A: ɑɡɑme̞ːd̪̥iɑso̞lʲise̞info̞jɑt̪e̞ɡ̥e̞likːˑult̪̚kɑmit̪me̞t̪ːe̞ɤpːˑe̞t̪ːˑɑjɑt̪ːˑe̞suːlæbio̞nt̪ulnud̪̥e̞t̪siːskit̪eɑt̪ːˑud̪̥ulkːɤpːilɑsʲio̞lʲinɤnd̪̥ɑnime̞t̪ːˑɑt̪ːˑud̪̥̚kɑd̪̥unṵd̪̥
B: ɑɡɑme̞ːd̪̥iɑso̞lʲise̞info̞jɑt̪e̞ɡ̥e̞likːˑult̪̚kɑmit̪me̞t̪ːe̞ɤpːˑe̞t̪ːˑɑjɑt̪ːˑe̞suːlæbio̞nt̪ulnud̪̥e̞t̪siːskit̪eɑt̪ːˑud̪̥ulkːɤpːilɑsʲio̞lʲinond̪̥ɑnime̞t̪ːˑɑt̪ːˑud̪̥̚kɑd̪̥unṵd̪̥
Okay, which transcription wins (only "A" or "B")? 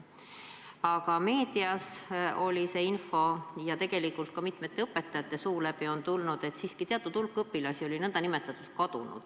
A